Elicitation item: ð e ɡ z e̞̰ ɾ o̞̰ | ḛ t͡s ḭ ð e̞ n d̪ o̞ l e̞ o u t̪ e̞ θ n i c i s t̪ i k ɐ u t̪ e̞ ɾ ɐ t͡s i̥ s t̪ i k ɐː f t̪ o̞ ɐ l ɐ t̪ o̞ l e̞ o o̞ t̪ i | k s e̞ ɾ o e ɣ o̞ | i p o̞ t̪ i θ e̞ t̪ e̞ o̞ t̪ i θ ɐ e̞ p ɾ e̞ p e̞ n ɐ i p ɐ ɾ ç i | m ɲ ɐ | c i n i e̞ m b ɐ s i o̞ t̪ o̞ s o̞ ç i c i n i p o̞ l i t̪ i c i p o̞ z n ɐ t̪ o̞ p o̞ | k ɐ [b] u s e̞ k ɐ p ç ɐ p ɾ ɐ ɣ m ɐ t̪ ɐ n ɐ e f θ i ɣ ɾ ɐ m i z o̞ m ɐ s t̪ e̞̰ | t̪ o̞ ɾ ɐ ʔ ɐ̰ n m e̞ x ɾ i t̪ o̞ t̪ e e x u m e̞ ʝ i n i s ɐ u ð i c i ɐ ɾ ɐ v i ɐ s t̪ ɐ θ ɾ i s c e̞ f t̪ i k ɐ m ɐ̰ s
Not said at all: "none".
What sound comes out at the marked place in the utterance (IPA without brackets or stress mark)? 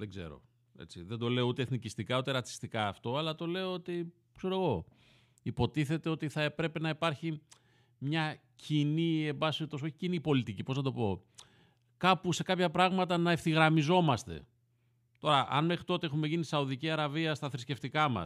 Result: p